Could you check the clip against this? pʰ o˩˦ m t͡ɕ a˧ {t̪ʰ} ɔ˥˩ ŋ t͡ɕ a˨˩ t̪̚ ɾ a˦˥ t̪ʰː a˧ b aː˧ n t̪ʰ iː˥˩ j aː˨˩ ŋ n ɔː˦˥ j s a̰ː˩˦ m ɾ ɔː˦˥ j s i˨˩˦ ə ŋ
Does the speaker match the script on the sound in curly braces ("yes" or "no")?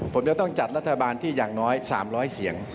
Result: no